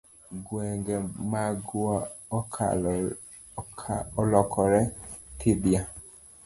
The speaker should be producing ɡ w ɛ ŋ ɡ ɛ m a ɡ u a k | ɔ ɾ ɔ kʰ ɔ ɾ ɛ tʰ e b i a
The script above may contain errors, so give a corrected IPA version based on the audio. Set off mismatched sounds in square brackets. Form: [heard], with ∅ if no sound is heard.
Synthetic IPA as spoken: ɡ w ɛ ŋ ɡ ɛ m a ɡ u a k | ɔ [l] ɔ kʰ ɔ ɾ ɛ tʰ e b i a